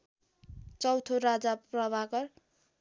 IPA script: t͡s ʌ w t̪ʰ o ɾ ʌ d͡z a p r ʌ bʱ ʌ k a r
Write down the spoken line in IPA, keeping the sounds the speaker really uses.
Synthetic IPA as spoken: t͡s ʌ w t̪ʰ o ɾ a d͡z a p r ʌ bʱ a k ʌ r